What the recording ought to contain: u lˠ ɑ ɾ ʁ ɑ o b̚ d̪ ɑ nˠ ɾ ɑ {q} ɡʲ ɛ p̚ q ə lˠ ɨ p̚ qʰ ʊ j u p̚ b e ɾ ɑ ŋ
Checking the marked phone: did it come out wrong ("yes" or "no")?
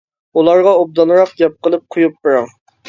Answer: no